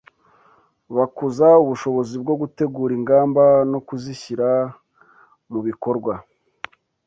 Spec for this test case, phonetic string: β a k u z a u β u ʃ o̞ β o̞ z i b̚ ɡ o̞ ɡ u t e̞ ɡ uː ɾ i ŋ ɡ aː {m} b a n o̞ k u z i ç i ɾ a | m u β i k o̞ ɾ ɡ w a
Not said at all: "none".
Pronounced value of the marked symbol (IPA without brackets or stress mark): m